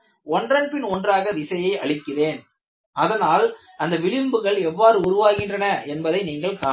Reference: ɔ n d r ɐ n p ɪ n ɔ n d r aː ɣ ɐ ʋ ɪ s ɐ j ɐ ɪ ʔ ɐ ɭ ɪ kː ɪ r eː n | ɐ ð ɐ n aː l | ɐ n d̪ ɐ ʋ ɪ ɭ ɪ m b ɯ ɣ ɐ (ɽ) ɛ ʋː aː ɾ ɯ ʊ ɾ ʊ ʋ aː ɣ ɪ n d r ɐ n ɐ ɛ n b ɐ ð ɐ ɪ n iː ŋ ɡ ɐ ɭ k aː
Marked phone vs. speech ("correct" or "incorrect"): incorrect